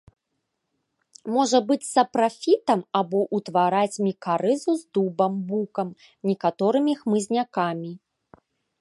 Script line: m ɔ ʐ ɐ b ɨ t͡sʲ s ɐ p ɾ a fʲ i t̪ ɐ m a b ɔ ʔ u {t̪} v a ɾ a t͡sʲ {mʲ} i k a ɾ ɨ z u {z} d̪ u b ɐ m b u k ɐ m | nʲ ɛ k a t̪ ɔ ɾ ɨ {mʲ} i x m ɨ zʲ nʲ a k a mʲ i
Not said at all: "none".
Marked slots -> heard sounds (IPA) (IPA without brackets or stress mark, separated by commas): t̪, mʲ, z, mʲ